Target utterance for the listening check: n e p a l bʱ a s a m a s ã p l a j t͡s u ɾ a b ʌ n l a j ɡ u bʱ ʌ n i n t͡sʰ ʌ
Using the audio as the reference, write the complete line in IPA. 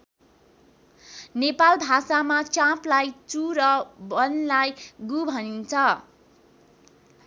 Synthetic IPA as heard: n e p a l bʱ a s a m a t͡s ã p l a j t͡s u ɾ ʌ b ʌ n l a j ɡ u bʱ ʌ n i n t͡sʰ ʌ